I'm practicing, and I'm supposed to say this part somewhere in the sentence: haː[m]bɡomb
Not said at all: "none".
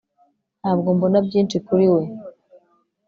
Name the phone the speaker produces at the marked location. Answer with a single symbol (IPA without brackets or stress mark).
none